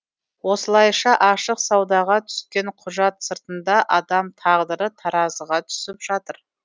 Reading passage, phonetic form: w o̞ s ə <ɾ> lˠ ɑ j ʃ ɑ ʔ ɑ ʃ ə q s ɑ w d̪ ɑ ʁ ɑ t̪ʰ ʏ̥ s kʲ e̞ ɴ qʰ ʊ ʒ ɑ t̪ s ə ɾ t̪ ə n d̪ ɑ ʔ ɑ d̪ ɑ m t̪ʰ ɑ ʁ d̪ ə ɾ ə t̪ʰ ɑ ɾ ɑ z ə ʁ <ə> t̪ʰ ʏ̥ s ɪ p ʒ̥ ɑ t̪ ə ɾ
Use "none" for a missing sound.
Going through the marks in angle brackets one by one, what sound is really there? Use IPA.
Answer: none, ɑ

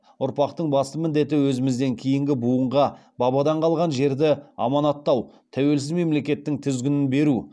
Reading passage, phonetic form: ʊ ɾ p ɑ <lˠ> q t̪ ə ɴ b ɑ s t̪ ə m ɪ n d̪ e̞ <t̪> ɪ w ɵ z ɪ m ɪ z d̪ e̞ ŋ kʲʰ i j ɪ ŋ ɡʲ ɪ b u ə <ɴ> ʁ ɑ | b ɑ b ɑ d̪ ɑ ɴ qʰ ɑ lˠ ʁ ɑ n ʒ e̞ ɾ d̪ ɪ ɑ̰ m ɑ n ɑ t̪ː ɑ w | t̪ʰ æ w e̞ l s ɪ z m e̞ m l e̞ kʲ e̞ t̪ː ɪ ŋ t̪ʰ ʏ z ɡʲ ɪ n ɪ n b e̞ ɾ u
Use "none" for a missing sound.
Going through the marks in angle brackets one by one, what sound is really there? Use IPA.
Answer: none, t̪, ɴ

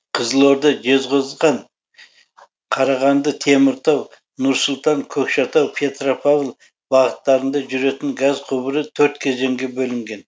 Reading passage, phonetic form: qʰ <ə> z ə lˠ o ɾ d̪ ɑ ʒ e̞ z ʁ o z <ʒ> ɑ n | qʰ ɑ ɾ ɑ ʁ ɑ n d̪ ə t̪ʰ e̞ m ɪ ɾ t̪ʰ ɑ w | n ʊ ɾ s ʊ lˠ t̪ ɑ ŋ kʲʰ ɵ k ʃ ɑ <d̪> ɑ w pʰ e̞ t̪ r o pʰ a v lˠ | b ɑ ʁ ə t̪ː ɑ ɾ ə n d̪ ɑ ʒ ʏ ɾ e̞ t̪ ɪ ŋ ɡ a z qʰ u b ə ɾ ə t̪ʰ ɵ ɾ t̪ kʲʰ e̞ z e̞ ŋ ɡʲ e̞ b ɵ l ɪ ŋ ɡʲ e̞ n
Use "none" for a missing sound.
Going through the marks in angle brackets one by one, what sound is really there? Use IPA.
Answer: ə, ʁ, t̪

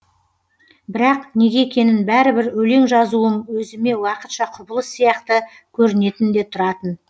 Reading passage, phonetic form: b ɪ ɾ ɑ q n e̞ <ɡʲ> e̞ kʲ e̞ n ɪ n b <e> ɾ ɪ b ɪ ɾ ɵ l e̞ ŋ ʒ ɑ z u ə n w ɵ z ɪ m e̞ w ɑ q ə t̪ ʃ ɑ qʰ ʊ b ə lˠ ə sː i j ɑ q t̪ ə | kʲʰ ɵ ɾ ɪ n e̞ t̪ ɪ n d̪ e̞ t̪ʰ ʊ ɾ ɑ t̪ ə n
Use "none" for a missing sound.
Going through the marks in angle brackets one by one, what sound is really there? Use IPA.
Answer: ɡʲ, æ

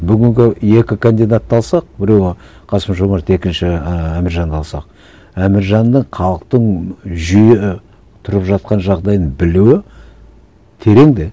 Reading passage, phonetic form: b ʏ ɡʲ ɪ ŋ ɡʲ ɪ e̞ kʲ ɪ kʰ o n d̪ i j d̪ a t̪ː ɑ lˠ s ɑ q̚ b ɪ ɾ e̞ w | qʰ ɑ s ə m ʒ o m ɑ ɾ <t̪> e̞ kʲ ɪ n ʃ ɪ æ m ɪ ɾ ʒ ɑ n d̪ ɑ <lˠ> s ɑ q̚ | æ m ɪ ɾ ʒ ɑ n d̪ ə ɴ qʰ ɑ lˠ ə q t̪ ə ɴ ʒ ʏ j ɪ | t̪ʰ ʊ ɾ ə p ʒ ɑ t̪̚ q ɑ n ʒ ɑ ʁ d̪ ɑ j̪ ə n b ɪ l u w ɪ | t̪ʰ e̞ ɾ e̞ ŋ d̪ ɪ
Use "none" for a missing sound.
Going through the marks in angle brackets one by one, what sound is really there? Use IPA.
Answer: t̪, lˠ

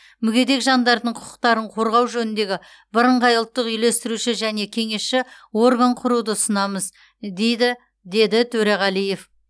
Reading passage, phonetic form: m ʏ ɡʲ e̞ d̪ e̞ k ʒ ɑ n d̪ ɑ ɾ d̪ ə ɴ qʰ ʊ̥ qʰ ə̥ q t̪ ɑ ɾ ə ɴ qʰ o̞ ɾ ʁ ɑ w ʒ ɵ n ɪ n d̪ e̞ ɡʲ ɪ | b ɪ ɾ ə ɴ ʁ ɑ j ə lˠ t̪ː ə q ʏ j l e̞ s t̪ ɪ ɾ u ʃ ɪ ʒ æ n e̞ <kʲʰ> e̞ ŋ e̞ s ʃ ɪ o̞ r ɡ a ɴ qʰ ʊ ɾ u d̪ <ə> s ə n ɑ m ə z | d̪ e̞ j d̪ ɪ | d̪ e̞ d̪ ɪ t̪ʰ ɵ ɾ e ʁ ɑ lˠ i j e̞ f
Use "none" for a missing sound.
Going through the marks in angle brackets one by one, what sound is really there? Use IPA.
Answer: kʲʰ, ə

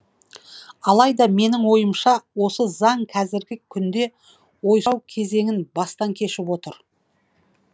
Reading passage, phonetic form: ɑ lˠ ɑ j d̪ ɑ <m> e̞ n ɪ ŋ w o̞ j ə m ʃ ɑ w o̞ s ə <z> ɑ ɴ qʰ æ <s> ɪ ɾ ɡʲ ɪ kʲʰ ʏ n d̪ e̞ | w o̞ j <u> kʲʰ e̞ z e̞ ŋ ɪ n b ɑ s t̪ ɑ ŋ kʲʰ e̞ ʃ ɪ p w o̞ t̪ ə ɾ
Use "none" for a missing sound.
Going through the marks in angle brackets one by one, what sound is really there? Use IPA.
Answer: m, z, z, w

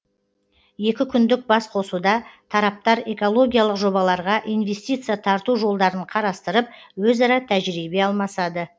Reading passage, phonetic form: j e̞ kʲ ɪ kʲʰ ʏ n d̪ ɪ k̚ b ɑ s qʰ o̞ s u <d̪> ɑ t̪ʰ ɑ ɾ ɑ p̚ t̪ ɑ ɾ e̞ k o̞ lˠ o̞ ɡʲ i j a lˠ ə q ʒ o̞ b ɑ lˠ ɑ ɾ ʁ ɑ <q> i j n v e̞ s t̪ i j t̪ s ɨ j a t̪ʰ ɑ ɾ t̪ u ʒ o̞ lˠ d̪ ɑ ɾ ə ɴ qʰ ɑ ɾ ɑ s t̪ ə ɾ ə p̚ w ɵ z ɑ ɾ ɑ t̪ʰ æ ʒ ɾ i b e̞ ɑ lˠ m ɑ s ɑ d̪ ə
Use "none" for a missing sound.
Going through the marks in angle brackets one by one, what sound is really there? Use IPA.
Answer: d̪, ʔ

